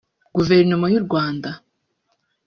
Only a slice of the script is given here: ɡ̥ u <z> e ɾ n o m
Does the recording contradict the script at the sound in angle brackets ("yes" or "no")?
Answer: yes